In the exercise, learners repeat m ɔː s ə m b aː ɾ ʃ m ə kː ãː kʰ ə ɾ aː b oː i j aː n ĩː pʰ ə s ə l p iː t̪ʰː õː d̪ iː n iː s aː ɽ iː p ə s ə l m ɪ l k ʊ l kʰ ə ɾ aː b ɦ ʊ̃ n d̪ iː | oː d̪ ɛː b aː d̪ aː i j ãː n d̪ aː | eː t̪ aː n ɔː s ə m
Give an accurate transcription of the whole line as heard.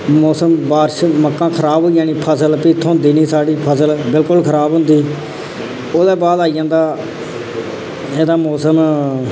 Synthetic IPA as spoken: m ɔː s ə m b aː ɾ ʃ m ə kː ãː kʰ ə ɾ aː b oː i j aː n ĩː pʰ ə s ə l p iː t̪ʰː õː d̪ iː n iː s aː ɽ iː pʰ ə s ə l b ɪ l k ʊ l kʰ ə ɾ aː b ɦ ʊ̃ n d̪ iː | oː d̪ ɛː b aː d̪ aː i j ãː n d̪ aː | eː d̪ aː m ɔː s ə m